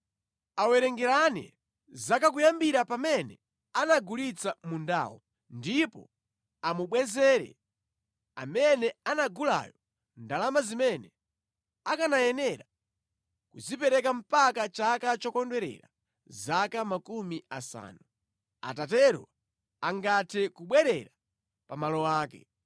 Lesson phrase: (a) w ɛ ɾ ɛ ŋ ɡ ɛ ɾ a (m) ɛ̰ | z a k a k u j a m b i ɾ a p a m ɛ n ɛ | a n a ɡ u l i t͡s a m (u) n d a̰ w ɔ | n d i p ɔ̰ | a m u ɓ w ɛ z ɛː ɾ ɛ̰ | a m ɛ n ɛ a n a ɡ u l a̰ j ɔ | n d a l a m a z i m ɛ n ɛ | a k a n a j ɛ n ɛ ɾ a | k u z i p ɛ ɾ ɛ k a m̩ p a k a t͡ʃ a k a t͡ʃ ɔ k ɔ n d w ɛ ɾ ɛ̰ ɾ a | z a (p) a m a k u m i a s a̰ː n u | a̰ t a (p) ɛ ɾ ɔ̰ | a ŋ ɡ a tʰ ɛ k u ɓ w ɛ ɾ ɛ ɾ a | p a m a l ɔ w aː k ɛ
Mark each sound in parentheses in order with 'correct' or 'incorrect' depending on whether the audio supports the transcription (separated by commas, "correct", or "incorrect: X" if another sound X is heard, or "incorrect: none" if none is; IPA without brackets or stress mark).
correct, incorrect: n, correct, incorrect: k, incorrect: t